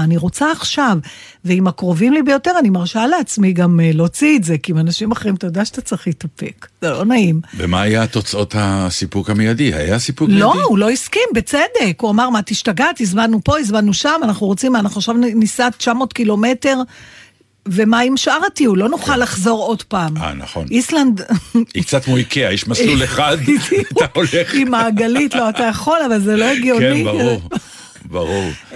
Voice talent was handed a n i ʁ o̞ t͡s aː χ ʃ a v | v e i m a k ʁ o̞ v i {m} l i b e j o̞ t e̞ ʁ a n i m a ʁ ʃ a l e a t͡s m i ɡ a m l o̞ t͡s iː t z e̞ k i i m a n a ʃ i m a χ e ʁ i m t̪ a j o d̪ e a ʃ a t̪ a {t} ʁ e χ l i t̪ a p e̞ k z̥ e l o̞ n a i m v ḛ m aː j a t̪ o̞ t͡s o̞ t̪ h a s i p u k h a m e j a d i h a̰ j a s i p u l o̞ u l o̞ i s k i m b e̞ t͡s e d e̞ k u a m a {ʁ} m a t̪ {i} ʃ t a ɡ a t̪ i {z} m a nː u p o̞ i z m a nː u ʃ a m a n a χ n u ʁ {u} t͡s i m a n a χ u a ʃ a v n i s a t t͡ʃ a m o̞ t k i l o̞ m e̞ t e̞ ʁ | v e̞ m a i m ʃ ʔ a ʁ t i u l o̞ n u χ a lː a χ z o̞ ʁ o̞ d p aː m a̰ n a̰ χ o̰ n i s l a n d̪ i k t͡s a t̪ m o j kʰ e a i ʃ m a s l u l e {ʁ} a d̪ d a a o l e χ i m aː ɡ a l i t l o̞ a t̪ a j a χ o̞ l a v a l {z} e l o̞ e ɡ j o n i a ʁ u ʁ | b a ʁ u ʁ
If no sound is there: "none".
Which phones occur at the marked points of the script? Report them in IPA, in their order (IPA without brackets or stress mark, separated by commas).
m, t͡s, ʁ, i, z, o, χ, z